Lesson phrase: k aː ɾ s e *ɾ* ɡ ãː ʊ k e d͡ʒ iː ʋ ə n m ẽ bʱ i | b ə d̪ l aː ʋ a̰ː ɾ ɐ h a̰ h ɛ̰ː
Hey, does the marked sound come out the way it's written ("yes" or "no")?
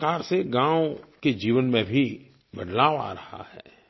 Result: no